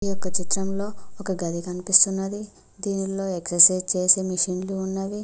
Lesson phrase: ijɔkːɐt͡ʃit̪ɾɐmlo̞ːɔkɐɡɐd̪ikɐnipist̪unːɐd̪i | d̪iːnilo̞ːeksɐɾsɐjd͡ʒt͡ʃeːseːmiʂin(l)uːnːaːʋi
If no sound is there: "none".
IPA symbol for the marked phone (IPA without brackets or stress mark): l